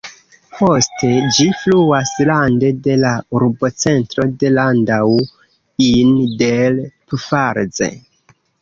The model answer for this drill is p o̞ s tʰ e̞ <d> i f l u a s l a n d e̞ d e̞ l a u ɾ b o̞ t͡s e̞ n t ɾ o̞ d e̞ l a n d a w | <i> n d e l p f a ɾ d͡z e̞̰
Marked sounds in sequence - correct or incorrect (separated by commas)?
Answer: incorrect, correct